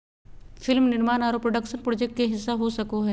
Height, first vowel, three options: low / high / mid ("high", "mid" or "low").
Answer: high